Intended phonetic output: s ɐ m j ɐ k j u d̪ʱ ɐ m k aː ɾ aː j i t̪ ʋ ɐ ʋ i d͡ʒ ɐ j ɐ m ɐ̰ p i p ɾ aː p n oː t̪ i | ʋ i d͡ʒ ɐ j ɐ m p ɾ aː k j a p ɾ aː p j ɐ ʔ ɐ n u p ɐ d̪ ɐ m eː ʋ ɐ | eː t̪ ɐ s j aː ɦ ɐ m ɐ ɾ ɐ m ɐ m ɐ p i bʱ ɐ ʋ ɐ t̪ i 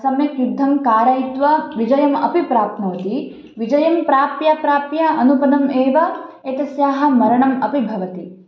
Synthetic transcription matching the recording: s ɐ m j ɐ k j u d̪ʱː ɐ m k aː ɾ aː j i t̪ ʋ ɐ ʋ i d͡ʒ ɐ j ɐ m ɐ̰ p i p ɾ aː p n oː t̪ i | ʋ i d͡ʒ ɐ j ɐ m p ɾ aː p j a p ɾ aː p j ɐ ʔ ɐ n u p ɐ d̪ ɐ m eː ʋ ɐ | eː t̪ ɐ s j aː ɦ ɐ m ɐ ɾ ɐ ɳ ɐ m ɐ p i bʱ ɐ ʋ ɐ t̪ i

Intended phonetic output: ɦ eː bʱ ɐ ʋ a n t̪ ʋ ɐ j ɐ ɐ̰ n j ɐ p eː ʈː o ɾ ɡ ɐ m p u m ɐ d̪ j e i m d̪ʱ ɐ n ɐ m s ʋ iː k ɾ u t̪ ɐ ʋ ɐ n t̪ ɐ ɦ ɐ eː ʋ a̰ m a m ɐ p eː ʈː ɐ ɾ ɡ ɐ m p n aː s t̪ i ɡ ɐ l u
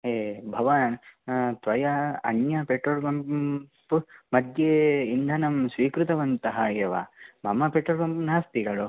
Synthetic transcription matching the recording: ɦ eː bʱ ɐ ʋ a n t̪ ʋ ɐ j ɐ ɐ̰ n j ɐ p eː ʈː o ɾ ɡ ɐ m p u m ɐ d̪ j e i n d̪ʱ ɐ n ɐ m s ʋ iː k ɾ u t̪ ɐ ʋ ɐ n t̪ ɐ ɦ ɐ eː ʋ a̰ m ɐ m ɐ p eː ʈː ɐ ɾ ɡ ɐ m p n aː s t̪ i ɡ ɐ ɭ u

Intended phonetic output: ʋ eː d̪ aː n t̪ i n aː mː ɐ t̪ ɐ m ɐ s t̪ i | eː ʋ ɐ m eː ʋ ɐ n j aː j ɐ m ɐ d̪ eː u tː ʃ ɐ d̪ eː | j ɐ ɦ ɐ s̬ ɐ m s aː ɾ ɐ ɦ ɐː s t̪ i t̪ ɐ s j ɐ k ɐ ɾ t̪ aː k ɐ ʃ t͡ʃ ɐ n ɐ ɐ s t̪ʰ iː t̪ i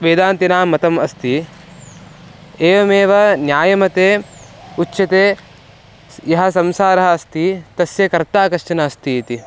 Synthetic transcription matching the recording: ʋ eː d̪ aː n t̪ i n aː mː ɐ t̪ ɐ m ɐ s t̪ i | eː ʋ ɐ m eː ʋ ɐ n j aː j ɐ m ɐ t̪ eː u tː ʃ ɐ t̪ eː | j ɐ ɦ ɐ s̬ ɐ m s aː ɾ ɐ ɦ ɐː s t̪ i t̪ ɐ s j ɐ k ɐ ɾ t̪ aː k ɐ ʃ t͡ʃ ɐ n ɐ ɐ s t̪ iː t̪ i

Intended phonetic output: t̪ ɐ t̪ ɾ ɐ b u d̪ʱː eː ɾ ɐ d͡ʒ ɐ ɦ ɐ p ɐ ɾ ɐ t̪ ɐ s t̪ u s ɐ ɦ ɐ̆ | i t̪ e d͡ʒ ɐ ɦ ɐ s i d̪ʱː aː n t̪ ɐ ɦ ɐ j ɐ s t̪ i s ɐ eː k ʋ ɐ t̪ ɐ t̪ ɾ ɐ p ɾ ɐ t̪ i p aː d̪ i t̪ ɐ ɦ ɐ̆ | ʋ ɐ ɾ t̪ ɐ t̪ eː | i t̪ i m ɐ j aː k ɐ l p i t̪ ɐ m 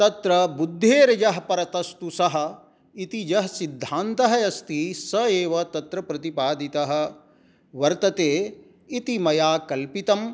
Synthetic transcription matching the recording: t̪ ɐ t̪ ɾ ɐ b u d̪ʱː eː ɾ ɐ d͡ʒ ɐ ɦ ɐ p ɐ ɾ ɐ t̪ ɐ s t̪ u s ɐ ɦ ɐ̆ | i t̪ i d͡ʒ ɐ ɦ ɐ s i d̪ʱː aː n t̪ ɐ ɦ ɐ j ɐ s t̪ i s ɐ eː ʋ ɐ t̪ ɐ t̪ ɾ ɐ p ɾ ɐ t̪ i p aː d̪ i t̪ ɐ ɦ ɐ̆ | ʋ ɐ ɾ t̪ ɐ t̪ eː | i t̪ i m ɐ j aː k ɐ l p i t̪ ɐ m

